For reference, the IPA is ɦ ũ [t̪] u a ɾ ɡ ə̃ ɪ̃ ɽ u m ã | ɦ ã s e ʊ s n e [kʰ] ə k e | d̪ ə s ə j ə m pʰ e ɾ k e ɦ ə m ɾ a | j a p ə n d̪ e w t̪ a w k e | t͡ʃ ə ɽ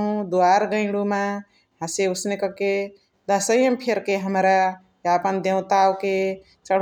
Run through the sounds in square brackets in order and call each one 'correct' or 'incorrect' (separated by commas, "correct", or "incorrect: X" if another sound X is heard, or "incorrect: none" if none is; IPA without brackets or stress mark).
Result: incorrect: d̪, incorrect: k